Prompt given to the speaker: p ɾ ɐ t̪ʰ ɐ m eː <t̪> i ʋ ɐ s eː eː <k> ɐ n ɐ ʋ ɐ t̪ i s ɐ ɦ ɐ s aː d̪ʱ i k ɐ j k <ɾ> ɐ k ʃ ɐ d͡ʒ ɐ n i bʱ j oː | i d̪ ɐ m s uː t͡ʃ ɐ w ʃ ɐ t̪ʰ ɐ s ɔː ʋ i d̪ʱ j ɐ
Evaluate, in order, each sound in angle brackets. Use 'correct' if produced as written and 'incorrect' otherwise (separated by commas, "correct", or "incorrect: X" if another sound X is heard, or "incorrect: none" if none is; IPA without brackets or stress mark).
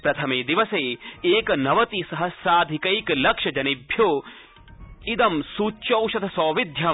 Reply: incorrect: d̪, correct, incorrect: l